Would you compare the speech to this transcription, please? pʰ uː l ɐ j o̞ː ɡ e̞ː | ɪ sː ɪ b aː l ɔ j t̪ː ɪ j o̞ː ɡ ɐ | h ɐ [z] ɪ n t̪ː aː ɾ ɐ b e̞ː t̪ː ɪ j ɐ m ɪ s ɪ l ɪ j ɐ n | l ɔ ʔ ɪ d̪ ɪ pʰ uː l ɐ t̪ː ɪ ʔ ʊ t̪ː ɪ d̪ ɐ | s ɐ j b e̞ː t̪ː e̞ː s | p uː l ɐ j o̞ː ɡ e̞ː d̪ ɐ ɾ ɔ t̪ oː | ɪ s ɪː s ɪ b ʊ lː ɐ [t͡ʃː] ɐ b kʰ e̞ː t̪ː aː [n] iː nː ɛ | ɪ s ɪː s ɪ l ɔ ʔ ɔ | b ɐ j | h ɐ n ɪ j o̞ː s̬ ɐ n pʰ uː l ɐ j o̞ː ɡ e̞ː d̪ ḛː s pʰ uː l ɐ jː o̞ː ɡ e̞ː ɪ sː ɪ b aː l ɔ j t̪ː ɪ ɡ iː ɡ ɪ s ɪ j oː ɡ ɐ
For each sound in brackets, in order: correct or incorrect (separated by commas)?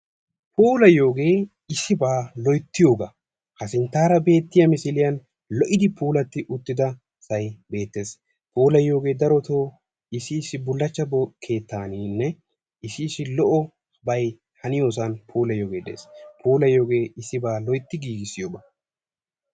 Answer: incorrect, correct, correct